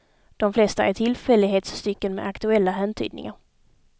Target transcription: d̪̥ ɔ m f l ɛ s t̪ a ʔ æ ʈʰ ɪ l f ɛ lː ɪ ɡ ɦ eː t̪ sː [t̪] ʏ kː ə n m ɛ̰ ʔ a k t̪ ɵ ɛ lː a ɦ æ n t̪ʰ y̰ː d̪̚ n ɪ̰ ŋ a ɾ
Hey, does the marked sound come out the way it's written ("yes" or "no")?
yes